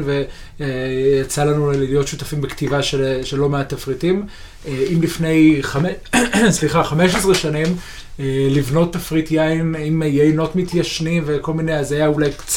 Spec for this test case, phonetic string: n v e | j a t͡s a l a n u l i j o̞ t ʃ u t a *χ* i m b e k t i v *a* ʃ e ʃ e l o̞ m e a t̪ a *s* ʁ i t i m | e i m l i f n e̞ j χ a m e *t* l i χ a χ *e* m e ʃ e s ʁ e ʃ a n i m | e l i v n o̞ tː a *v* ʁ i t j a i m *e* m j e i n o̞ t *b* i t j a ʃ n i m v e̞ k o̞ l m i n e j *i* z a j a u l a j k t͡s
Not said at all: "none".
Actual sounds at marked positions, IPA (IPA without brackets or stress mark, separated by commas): f, a, f, s, a, f, i, m, a